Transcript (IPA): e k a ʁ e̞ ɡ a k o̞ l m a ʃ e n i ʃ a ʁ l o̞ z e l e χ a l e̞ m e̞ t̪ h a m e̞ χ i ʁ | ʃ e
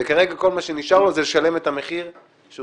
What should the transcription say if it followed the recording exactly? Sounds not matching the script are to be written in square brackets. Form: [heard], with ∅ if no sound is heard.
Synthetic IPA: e k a ʁ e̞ ɡ a k o̞ l m a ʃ e n i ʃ a ʁ l o̞ z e l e [ʃ] a l e̞ m e̞ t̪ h a m e̞ χ i ʁ | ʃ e